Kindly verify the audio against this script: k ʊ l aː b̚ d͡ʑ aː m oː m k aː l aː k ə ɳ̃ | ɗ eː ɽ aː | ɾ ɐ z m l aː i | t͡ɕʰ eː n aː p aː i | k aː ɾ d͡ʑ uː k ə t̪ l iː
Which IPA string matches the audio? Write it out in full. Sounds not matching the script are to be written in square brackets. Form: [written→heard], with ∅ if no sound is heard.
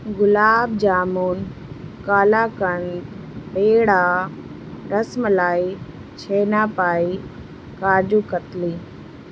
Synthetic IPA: [k→ɡ] ʊ l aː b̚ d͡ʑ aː m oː [m→n] k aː l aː k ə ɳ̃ | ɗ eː ɽ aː | ɾ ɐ [z→s] m l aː i | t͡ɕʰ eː n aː p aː i | k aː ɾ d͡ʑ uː k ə t̪ l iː